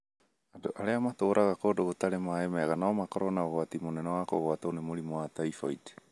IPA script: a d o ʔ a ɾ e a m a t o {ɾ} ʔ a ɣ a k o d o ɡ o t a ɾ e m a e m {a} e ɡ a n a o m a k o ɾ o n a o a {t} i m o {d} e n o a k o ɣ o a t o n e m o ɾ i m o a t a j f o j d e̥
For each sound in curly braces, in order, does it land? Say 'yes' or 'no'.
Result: yes, yes, yes, no

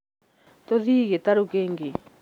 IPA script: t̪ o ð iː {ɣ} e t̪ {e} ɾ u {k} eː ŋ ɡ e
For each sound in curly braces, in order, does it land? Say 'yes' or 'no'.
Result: yes, no, yes

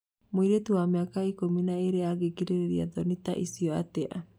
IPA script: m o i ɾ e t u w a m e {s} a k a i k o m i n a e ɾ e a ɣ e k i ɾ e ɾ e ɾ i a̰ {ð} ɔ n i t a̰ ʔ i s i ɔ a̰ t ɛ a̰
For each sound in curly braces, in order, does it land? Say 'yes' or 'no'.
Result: no, yes

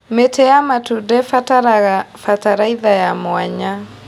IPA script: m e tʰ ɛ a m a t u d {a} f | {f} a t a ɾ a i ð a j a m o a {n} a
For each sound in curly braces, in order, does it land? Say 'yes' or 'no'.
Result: no, yes, no

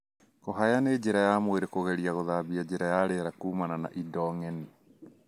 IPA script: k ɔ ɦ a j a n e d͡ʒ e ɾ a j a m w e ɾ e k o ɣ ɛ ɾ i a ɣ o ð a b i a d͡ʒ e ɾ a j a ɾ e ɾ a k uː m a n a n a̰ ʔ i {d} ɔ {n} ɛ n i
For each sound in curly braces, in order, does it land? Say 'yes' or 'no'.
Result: yes, no

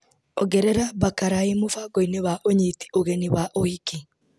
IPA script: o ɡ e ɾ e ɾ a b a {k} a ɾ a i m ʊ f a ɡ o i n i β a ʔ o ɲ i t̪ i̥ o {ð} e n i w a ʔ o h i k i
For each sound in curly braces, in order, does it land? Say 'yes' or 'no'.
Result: yes, no

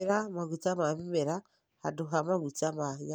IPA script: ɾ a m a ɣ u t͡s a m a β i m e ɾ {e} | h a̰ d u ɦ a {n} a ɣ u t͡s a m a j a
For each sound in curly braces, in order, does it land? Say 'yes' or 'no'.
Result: no, no

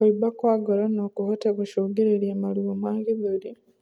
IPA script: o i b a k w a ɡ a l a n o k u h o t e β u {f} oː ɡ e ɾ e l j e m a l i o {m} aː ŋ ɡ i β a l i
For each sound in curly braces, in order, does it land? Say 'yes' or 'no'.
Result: no, yes

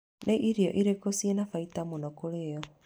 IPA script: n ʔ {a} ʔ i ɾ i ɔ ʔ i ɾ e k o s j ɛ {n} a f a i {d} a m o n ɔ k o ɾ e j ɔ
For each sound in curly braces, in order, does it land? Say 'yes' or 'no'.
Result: no, yes, no

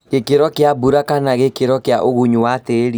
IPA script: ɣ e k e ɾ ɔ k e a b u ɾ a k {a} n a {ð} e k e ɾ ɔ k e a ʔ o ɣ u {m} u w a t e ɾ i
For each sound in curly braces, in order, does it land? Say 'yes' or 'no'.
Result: yes, no, no

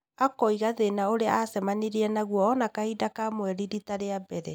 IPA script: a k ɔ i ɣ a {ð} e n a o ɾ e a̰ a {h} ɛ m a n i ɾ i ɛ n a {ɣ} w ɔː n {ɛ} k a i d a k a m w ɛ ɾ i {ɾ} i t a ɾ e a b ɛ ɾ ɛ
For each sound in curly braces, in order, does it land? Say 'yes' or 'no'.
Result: yes, no, yes, no, yes

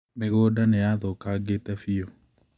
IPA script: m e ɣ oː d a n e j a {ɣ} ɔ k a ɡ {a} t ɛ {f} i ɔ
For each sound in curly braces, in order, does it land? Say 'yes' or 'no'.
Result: no, no, yes

